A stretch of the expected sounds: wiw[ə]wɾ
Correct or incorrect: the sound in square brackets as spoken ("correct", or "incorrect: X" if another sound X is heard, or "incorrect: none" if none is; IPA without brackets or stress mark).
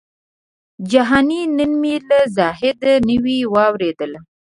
incorrect: ɑ